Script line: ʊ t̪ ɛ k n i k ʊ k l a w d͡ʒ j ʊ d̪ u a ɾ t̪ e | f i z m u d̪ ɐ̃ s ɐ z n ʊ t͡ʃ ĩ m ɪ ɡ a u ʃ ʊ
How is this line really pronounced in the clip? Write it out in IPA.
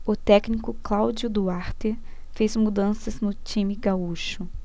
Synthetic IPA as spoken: ʊ t̪ ɛ k n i k ʊ k l a w d͡ʒ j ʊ d̪ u a ɾ t̪ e | f e z m u d̪ ɐ̃ s ɐ z n ʊ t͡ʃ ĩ m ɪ ɡ a u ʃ ʊ